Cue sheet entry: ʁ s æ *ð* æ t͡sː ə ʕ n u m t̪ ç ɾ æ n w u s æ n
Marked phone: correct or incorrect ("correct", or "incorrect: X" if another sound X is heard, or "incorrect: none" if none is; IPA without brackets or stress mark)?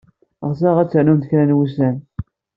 incorrect: ʁ